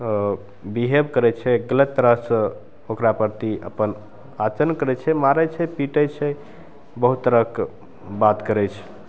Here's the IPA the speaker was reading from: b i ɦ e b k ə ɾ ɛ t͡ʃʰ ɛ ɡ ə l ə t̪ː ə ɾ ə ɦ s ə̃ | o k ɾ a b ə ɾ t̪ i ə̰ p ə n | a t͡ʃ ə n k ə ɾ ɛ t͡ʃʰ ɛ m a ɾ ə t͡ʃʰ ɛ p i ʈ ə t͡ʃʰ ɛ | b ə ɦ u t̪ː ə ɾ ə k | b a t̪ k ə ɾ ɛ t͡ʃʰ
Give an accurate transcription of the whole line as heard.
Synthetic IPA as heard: b i ɦ e b k ə ɾ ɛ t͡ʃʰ ɛ ɡ ə l ə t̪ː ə ɾ ə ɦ s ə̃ | o k ɾ a p ə ɾ t̪ i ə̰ p ə n | a t͡ʃ ə n k ə ɾ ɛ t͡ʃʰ ɛ m a ɾ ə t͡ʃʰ ɛ p i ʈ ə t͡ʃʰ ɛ | b ə ɦ u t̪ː ə ɾ ə k | b a t̪ k ə ɾ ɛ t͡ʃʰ